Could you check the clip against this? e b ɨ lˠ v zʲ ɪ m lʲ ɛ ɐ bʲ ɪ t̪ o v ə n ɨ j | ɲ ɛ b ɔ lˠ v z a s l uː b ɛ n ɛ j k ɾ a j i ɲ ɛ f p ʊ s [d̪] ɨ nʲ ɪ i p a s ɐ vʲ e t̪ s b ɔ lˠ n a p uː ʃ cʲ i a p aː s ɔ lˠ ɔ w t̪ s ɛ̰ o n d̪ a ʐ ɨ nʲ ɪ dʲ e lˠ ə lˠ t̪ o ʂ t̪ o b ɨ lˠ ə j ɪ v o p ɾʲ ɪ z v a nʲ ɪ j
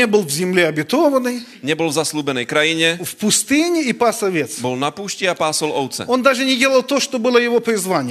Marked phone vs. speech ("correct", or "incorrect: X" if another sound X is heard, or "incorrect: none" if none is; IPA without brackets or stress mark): incorrect: t̪